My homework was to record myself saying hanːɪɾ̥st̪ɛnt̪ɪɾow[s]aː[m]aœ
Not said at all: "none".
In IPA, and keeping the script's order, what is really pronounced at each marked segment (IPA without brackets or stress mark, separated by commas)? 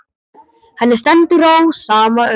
s, m